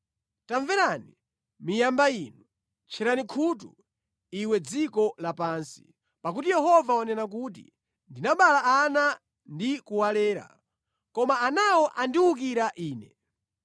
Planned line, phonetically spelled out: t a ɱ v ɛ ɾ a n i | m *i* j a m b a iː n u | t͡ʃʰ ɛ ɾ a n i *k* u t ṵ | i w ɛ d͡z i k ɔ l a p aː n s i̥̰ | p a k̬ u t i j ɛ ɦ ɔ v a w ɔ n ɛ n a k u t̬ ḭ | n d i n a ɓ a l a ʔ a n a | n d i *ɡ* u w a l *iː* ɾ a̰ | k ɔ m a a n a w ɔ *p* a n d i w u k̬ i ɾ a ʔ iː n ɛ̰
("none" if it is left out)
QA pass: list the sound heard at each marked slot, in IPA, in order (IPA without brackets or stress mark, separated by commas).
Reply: i, kʰ, k, ɛː, ʔ